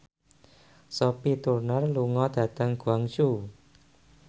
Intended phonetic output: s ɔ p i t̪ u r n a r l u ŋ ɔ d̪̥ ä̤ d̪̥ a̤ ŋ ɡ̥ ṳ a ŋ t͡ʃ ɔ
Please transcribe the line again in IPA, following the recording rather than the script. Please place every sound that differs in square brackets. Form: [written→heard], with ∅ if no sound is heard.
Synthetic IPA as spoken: s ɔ p i t̪ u r n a r l u ŋ ɔ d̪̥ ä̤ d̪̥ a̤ ŋ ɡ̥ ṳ a ŋ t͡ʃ [ɔ→u]